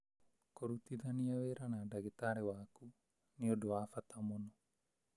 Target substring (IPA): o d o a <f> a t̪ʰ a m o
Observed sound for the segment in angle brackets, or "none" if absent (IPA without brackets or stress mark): f